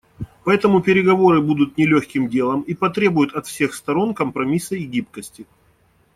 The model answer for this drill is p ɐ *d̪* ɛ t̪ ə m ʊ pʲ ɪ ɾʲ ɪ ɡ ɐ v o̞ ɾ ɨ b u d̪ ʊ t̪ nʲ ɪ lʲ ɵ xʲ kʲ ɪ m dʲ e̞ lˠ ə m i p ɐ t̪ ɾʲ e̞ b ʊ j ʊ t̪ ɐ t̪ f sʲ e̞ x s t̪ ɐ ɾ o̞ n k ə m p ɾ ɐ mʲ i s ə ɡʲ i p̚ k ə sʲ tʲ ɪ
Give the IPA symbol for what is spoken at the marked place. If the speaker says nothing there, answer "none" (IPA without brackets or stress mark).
none